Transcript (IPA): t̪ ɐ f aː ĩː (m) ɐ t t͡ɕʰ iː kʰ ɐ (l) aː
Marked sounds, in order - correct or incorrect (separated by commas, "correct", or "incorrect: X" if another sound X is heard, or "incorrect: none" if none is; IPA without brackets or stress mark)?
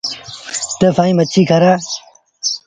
correct, incorrect: ɾ